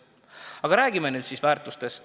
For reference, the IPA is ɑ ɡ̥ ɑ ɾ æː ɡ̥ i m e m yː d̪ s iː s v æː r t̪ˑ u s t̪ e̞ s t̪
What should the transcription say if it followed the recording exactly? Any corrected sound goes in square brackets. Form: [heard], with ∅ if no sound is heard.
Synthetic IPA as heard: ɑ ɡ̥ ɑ ɾ æː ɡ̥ i m e [n] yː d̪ s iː s v æː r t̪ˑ u s t̪ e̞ s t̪